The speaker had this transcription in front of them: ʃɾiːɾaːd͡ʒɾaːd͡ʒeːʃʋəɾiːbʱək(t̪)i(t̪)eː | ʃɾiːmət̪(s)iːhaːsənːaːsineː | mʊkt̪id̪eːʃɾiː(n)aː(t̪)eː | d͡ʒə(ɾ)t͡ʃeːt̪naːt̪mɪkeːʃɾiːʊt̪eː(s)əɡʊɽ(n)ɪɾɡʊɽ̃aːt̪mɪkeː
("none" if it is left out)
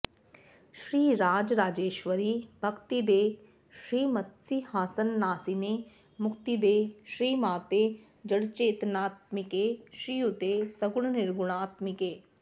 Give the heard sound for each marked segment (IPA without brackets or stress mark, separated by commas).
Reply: t̪, d̪, s, m, t̪, ɽ, s, n